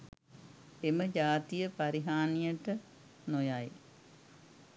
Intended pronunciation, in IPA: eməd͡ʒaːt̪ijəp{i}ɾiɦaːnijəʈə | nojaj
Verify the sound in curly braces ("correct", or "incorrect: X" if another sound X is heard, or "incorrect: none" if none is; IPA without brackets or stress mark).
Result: incorrect: a